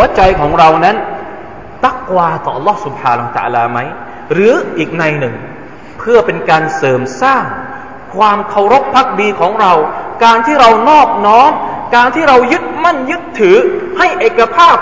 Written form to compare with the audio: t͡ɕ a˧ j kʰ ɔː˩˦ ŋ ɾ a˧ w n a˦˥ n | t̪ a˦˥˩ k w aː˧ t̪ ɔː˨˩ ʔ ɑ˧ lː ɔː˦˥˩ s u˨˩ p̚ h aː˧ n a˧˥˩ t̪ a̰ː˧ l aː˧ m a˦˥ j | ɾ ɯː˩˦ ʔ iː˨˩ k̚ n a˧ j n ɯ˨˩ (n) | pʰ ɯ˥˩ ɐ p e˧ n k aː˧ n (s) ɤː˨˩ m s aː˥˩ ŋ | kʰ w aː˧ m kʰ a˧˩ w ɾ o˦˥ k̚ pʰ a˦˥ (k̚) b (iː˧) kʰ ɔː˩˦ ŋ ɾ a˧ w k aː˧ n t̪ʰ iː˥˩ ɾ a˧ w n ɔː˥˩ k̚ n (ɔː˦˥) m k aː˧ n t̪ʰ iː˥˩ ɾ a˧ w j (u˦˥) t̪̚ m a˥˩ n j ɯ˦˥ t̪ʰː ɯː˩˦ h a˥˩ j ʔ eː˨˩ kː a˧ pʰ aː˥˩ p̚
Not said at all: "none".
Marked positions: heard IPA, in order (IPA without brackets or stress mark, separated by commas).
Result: ŋ, s, k̚, iː˧, ɔː˦˥, ɯ˦˥